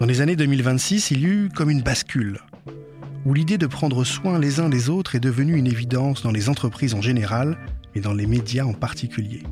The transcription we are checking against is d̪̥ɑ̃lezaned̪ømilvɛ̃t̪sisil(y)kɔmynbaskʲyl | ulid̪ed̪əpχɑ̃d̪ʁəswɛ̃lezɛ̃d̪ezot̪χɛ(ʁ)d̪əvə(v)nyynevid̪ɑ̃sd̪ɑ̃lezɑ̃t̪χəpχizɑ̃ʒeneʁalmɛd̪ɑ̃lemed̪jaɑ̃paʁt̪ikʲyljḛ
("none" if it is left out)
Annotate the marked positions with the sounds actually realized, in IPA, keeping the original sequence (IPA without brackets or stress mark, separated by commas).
y, none, none